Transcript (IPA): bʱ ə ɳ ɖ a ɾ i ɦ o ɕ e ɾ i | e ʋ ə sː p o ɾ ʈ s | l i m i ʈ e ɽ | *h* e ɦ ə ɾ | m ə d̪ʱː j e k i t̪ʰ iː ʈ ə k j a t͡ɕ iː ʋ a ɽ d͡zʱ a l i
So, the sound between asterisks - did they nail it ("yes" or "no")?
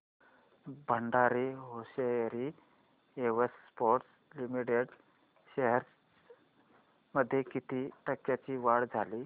no